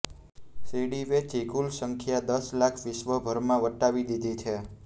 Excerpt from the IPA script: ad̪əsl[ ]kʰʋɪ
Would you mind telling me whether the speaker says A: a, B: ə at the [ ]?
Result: A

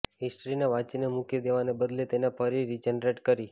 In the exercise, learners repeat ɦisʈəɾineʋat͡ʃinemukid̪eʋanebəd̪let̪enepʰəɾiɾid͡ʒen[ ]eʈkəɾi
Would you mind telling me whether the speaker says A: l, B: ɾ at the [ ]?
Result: B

